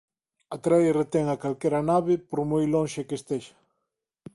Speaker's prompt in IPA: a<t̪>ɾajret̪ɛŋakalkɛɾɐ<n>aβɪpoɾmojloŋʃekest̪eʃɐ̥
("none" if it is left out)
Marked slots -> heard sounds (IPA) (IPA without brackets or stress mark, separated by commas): t̪, n